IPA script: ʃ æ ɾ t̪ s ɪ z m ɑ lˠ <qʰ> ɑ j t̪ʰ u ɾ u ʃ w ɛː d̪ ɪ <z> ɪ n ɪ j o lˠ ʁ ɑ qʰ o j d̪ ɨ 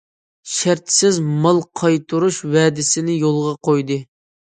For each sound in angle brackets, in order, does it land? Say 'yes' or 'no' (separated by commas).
yes, no